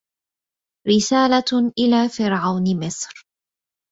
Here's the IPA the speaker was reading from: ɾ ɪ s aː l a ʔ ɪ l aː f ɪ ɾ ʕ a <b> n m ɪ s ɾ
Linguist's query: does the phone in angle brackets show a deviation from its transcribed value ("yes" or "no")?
yes